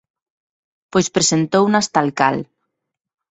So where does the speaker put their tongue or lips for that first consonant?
lips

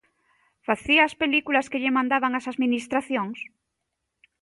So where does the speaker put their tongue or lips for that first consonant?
lips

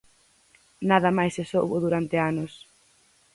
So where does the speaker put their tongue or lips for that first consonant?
tongue tip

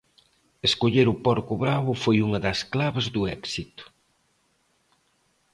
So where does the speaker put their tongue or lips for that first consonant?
tongue tip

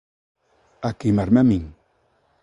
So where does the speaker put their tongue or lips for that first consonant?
velum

